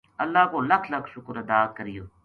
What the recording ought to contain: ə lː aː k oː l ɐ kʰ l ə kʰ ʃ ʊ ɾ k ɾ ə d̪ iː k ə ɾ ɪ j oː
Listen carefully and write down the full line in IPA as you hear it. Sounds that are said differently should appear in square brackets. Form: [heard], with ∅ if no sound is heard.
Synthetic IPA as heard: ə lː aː k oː l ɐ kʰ l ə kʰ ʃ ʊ [∅] k ɾ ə d̪ [aː] k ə ɾ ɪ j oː